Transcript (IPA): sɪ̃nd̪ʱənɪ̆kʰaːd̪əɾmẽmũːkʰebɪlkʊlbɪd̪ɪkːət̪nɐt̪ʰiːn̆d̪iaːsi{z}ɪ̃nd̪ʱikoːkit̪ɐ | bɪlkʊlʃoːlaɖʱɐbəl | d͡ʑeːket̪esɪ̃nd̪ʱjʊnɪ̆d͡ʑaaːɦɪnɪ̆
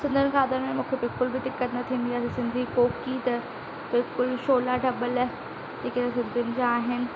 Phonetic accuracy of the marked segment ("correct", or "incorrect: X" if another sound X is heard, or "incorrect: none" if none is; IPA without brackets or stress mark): incorrect: s